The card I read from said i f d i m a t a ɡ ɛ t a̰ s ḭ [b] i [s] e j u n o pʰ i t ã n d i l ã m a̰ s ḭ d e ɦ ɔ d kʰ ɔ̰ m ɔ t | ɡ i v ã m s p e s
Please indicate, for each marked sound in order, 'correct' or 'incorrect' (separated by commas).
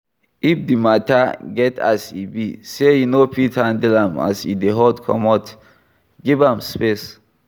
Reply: correct, correct